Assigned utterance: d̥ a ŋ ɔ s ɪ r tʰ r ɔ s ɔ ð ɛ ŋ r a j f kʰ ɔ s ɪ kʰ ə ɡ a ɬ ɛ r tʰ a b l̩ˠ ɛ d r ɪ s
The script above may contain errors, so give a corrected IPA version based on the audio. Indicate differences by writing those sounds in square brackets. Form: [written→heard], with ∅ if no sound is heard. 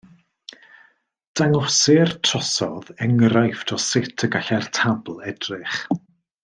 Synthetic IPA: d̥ a ŋ ɔ s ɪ r tʰ r ɔ s ɔ ð ɛ ŋ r a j f [kʰ→tʰ] ɔ s ɪ [kʰ→tʰ] ə ɡ a ɬ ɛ r tʰ a b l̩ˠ ɛ d r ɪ [s→χ]